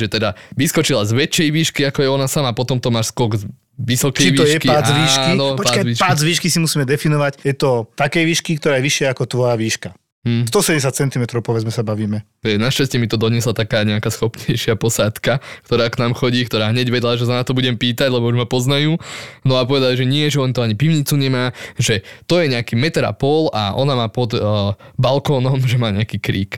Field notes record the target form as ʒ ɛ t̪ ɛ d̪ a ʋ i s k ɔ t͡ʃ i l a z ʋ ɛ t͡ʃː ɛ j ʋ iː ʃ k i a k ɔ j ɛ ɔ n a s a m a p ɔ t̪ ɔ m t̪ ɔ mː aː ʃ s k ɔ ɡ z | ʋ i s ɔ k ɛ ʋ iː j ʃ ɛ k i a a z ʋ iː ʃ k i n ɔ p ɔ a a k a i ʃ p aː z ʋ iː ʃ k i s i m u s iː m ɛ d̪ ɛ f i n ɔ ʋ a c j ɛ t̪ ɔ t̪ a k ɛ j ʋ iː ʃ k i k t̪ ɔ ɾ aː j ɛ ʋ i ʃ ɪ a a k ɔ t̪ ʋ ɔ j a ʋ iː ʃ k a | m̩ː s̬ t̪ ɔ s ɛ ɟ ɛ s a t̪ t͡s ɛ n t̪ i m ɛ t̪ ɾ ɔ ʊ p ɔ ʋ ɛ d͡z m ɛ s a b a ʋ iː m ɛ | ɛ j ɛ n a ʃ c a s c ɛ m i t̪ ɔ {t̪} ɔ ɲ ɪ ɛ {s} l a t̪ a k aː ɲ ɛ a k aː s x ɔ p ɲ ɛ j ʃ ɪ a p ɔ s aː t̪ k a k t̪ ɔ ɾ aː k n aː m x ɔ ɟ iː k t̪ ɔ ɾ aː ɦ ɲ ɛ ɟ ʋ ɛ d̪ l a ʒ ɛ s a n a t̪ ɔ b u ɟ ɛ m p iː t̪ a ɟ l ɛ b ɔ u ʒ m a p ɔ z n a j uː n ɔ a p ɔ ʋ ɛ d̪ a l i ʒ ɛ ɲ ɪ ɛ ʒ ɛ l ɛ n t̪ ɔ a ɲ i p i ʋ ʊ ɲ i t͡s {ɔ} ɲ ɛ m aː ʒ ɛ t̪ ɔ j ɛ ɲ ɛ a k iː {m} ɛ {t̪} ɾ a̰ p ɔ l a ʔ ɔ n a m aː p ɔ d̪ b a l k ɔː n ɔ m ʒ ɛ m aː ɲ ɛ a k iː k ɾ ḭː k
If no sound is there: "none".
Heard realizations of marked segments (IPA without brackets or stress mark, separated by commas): d̪, s, u, m, t̪